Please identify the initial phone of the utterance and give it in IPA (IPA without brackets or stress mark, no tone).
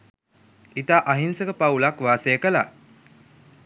i